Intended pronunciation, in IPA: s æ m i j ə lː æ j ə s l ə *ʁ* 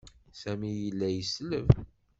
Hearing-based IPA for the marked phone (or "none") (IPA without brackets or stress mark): v